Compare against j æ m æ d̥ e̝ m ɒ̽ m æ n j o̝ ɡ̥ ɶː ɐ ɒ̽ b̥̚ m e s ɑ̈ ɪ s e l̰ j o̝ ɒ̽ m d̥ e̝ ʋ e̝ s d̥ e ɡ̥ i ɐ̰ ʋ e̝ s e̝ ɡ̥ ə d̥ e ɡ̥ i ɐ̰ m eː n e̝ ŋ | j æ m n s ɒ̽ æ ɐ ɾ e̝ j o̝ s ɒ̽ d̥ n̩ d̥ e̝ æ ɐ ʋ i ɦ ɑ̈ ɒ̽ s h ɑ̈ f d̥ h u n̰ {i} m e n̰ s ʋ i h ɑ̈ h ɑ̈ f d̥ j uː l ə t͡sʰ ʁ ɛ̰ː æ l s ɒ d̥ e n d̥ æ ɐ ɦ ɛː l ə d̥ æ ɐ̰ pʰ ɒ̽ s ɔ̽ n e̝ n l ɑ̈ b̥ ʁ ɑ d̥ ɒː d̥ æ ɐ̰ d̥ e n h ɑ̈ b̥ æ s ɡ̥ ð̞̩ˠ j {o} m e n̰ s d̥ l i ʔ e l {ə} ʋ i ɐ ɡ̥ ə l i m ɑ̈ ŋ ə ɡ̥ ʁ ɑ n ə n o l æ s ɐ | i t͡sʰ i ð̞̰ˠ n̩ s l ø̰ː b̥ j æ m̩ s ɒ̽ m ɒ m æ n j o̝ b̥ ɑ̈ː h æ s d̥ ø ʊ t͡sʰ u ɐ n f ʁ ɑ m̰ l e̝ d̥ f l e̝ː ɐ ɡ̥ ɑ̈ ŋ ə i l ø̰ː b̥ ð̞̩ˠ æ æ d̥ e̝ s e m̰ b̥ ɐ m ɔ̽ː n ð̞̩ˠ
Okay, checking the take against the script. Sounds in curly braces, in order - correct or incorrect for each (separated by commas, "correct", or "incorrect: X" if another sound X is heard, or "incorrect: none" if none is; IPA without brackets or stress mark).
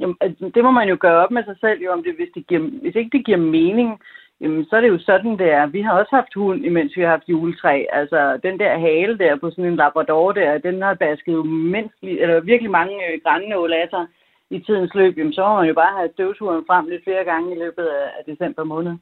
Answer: correct, correct, incorrect: ɐ